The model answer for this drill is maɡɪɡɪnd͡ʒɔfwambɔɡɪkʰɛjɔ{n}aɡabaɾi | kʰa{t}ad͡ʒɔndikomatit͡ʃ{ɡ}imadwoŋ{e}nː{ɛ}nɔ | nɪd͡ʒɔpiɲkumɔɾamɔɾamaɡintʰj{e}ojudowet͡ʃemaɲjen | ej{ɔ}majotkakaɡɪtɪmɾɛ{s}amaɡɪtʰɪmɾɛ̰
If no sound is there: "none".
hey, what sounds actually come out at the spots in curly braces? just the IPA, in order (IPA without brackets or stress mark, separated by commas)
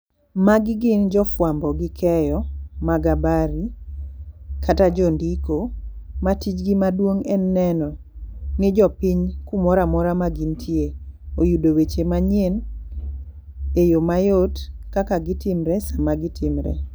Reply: m, t, ɡ, ɛ, ɛ, e, o, s